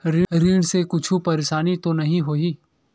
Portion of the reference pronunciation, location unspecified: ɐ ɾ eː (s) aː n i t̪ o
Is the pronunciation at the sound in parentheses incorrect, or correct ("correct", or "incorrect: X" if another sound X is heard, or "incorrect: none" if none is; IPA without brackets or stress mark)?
incorrect: ʃ